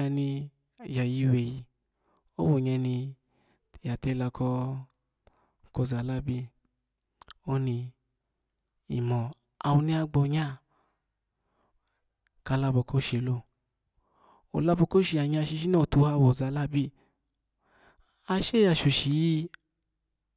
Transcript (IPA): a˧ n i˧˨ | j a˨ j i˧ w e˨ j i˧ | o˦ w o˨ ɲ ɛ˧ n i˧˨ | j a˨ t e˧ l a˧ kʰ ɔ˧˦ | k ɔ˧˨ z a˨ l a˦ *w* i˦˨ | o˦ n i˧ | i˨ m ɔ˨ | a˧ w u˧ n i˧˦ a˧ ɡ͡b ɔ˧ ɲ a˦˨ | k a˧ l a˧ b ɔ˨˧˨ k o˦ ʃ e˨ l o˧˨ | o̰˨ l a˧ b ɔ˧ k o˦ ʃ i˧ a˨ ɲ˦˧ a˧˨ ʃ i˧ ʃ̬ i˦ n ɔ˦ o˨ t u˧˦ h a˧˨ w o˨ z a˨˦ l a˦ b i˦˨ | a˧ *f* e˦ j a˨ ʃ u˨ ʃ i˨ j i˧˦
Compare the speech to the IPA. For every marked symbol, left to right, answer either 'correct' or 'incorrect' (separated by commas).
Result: incorrect, incorrect